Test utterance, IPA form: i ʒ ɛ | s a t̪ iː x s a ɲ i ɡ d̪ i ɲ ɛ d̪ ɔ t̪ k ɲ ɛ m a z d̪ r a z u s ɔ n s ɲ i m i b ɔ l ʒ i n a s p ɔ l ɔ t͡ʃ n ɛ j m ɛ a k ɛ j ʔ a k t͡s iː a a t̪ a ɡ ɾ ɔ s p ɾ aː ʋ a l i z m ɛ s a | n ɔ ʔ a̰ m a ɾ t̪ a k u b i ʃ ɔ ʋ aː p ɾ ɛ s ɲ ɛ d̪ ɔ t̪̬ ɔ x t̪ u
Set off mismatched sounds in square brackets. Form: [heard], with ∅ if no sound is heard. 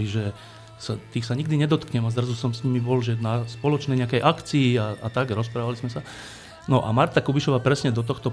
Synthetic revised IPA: i ʒ ɛ | s a t̪ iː x s a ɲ i ɡ d̪ i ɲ ɛ d̪ ɔ t̪ k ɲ ɛ m a z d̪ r a z u s ɔ [m] s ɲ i m i b ɔ l ʒ [ɛ] n a s p ɔ l ɔ t͡ʃ n ɛ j [ɲ] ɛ a k ɛ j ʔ a k t͡s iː a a t̪ a ɡ ɾ ɔ s p ɾ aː ʋ a l i z m ɛ s a | n ɔ ʔ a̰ m a ɾ t̪ a k u b i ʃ ɔ ʋ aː p ɾ ɛ s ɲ ɛ d̪ ɔ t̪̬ ɔ x t̪ [ɔ]